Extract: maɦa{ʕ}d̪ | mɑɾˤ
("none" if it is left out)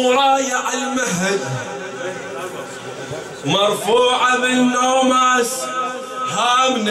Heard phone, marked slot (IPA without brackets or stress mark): none